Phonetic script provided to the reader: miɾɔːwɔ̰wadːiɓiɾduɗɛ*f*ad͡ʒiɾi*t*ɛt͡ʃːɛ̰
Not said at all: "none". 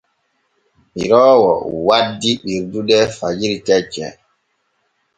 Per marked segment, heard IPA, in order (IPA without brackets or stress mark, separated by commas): f, t